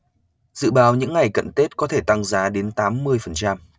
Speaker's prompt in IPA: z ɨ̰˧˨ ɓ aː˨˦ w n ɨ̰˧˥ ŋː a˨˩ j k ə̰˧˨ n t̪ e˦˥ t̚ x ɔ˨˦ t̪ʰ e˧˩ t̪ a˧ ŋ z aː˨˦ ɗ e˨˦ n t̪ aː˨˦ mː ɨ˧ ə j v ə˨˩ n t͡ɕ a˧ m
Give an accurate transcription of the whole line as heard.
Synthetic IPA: z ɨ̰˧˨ ɓ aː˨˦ w ɲ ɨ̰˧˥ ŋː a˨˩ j k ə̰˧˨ n t̪ e˦˥ t̚ k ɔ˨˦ t̪ʰ e˧˩ t̪ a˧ ŋ z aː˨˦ ɗ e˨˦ n t̪ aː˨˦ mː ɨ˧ ə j f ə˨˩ n t͡ɕ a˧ m